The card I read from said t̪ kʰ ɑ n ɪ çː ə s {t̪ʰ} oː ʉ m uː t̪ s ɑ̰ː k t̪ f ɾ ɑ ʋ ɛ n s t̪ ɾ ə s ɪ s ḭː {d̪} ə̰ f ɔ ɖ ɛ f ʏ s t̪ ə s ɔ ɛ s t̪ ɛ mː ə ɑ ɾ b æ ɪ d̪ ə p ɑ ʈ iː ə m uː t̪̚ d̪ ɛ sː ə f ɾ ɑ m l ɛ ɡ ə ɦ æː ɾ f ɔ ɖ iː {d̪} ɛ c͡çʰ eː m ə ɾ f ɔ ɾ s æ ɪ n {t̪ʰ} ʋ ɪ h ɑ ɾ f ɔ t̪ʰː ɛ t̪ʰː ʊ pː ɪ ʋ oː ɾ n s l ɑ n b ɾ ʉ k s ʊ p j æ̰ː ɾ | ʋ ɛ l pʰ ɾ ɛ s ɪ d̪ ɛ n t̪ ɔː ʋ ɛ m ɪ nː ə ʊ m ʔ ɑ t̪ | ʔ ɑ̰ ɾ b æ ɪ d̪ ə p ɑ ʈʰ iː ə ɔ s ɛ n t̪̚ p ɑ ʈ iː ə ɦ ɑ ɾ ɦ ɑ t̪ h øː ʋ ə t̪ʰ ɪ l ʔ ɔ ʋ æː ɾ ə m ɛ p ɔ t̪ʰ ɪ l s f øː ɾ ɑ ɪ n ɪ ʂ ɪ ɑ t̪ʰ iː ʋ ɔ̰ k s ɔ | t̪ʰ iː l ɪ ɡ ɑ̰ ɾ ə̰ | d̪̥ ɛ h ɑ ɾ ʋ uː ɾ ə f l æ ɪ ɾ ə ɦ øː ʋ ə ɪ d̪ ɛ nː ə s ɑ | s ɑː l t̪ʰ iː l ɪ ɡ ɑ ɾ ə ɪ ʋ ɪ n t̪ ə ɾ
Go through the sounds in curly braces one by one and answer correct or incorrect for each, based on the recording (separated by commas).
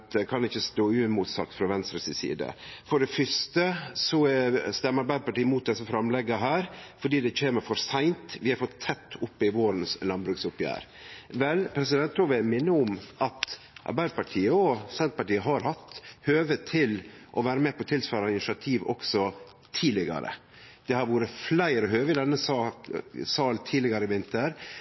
incorrect, correct, correct, incorrect